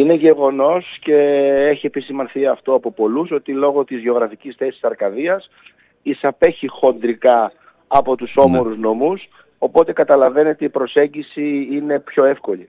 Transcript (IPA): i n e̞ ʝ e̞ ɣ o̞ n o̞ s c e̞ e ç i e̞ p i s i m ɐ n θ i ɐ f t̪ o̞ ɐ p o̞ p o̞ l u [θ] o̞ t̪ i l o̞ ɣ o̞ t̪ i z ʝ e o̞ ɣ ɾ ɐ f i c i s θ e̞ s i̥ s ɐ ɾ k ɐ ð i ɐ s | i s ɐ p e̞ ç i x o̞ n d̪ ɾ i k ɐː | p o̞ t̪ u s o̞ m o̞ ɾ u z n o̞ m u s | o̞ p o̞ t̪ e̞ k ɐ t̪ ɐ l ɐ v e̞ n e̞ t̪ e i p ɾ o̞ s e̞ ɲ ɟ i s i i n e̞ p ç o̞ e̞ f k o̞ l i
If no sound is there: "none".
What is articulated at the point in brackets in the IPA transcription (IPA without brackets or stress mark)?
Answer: s